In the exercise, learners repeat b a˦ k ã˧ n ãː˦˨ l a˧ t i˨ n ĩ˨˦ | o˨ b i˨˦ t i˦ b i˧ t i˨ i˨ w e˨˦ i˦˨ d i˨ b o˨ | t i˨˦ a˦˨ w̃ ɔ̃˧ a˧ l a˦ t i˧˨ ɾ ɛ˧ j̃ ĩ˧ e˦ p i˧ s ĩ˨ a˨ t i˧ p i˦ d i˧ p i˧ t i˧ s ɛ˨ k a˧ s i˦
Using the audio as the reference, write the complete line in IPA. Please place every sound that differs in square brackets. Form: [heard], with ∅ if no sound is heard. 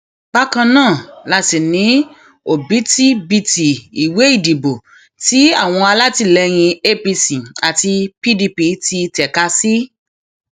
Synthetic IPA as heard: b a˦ k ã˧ n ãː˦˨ l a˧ t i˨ n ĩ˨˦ | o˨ b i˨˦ t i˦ b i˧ t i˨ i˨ w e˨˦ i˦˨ d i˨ b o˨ | t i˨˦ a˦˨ w̃ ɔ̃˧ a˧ l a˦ t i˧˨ [l] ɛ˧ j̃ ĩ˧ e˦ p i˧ s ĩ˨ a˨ t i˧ p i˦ d i˧ p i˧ t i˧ [t] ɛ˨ k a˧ s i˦